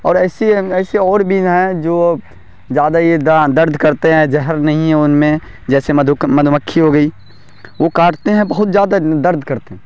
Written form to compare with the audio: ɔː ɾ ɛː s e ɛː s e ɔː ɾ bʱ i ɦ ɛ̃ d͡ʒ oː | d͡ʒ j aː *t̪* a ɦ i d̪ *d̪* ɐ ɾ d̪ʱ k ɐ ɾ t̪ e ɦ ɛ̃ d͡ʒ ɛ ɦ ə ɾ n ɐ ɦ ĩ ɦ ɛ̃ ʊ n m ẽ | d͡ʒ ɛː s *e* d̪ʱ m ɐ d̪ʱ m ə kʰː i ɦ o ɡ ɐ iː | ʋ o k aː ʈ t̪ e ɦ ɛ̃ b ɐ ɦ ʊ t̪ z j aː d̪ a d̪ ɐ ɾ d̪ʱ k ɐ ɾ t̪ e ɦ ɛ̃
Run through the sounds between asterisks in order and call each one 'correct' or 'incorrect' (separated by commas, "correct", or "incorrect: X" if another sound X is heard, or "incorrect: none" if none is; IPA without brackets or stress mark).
incorrect: d̪, correct, correct